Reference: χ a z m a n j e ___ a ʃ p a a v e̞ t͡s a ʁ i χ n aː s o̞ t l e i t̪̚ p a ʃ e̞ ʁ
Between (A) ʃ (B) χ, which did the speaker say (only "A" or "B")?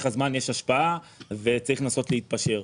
A